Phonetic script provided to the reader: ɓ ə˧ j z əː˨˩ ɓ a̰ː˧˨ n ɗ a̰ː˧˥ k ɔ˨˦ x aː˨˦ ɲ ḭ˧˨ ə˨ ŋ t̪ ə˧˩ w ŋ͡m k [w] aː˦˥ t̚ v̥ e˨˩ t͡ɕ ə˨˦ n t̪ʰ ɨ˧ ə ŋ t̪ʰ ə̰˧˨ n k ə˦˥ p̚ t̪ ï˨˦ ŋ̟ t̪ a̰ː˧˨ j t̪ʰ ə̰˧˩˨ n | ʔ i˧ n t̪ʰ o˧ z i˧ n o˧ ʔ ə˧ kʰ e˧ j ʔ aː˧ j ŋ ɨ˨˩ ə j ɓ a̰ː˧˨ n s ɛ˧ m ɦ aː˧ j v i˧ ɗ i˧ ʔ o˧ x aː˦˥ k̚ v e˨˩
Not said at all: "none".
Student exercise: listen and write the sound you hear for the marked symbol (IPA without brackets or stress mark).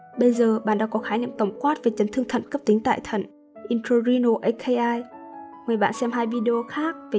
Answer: w